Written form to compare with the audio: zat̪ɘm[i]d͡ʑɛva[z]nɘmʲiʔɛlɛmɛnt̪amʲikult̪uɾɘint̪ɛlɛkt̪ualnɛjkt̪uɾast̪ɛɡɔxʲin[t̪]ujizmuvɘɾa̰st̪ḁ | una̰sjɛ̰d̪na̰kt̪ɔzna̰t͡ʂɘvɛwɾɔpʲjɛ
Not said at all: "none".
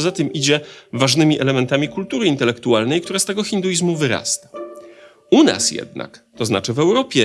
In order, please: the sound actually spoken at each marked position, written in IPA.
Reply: i, ʐ, d̪

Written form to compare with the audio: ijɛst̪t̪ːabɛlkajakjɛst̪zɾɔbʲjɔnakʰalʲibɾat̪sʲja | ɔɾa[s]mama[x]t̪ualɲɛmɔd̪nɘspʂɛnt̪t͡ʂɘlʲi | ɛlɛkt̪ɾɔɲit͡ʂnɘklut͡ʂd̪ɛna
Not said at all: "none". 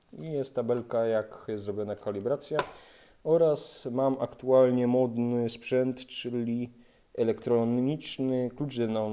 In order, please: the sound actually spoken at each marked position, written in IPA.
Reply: s, k

